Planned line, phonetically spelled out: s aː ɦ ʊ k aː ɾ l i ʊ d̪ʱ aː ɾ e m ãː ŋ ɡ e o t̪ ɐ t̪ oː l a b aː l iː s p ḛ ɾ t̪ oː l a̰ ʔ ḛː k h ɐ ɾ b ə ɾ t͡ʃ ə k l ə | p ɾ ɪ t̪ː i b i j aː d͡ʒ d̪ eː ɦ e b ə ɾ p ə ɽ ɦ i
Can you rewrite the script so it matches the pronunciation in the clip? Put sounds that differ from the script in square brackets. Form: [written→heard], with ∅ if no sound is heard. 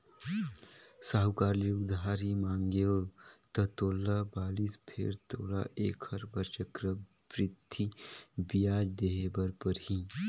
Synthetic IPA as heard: s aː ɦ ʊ k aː ɾ l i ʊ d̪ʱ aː ɾ [e→i] m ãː ŋ ɡ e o t̪ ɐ t̪ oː l a b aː l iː s [p→pʰ] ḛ ɾ t̪ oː l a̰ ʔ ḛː k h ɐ ɾ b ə ɾ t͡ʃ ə k [l→ɾ] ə | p ɾ ɪ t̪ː i b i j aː d͡ʒ d̪ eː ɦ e b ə ɾ p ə [ɽ→ɾ] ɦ i